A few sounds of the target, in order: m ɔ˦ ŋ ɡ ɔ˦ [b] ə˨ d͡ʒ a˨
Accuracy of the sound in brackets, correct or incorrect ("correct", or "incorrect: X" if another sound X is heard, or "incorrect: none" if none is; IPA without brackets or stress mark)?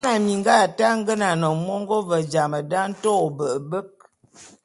incorrect: v